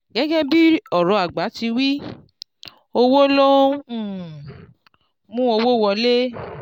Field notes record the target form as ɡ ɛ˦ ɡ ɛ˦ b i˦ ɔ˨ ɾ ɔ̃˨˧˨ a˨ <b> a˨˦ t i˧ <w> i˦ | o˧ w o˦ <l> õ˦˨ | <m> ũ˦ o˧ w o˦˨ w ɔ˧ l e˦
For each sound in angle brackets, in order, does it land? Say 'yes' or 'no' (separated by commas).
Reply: no, yes, yes, yes